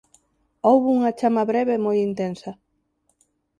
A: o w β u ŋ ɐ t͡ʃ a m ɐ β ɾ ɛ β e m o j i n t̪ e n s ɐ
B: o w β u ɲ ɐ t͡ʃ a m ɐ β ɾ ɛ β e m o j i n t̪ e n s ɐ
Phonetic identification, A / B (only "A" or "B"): A